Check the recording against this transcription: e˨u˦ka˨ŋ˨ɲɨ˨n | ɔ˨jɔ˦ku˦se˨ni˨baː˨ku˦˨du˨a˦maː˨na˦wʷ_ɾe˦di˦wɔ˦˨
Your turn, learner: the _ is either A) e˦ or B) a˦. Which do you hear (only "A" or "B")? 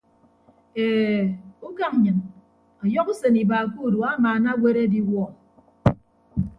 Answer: A